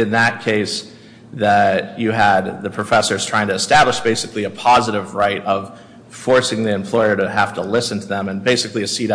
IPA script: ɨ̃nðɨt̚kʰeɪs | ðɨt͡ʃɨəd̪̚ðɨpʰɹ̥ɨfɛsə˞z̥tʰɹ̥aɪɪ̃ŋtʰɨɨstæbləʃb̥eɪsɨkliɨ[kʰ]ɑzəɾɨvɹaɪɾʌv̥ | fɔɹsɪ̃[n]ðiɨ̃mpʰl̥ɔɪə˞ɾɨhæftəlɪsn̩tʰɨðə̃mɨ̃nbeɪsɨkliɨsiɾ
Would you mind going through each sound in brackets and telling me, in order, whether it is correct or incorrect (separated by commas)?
incorrect, incorrect